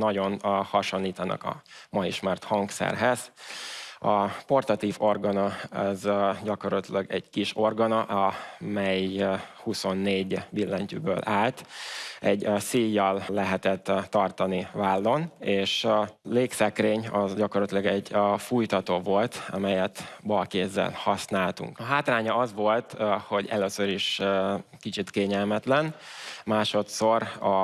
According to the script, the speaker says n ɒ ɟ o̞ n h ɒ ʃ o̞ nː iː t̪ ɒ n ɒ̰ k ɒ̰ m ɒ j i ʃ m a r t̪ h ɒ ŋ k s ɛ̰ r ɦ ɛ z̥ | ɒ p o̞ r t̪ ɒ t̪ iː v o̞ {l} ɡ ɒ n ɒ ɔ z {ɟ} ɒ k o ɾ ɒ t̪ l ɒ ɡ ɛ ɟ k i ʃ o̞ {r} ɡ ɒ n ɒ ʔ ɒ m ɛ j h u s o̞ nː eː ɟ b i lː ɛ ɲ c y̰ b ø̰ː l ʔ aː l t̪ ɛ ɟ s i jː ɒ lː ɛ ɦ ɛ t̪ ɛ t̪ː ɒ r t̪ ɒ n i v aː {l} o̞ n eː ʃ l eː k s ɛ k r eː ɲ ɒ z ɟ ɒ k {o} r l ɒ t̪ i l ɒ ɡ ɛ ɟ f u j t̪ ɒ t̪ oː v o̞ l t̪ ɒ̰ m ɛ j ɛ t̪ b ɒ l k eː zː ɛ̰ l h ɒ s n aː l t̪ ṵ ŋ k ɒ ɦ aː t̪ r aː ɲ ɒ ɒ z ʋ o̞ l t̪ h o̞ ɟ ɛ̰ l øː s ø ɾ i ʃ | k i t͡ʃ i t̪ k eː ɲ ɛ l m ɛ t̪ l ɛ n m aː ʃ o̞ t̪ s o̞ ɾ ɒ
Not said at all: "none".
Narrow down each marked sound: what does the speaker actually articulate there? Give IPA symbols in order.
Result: r, ɟ, r, lː, o

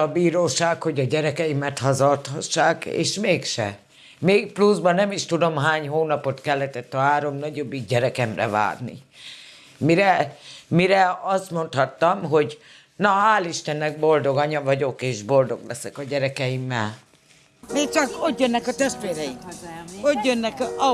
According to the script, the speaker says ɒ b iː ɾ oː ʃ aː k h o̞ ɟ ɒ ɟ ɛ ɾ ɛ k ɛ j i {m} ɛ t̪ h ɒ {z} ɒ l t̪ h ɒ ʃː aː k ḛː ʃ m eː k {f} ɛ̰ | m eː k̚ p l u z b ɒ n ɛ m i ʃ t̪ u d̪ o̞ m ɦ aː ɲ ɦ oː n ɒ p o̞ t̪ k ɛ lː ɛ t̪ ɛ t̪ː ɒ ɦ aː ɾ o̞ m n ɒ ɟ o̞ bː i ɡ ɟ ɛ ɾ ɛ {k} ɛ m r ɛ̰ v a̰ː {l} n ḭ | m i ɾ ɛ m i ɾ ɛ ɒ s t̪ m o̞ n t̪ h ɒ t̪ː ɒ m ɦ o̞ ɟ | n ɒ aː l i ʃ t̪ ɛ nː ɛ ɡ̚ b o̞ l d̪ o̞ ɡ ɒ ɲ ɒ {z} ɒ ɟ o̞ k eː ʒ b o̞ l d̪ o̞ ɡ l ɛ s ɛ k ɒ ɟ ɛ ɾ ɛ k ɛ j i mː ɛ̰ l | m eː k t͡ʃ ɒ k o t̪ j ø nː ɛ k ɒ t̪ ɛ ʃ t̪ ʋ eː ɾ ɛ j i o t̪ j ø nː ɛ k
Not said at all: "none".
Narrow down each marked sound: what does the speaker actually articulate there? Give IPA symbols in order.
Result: m, z, ʃ, k, r, v

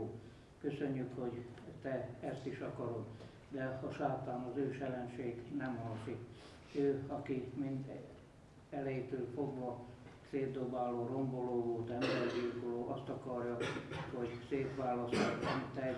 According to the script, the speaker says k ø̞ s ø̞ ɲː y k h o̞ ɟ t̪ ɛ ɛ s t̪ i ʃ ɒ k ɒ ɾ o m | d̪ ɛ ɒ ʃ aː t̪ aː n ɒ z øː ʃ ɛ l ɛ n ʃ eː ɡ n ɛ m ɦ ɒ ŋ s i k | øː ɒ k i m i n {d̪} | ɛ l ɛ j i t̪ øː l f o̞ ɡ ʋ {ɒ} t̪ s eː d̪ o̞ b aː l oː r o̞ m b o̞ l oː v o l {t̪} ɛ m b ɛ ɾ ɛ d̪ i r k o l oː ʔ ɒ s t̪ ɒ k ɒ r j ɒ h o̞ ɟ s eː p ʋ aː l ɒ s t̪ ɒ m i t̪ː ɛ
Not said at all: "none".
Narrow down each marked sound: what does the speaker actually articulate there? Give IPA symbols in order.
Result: d̪, ɒ, t̪

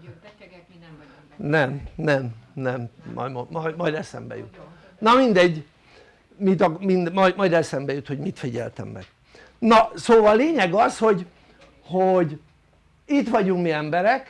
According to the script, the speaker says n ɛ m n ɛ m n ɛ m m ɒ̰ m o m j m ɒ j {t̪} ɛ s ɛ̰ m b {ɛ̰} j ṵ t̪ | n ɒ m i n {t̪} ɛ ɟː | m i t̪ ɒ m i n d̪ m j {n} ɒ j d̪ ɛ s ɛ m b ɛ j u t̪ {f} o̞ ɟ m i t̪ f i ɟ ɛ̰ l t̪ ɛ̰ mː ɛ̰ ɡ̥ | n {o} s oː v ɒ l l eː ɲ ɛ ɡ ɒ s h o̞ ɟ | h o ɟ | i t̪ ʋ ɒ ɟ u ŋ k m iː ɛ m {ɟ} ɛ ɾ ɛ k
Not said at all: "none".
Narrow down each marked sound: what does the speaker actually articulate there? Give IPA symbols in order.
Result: d̪, ɛ̰, d̪, m, h, ɒ, b

